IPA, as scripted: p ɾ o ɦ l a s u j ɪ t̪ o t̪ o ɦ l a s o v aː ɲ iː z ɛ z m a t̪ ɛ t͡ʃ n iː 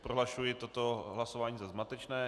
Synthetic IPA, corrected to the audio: p ɾ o ɦ l a ʃ u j ɪ t̪ o t̪ o ɦ l a s o v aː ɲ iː z a z m a t̪ ɛ t͡ʃ n ɛː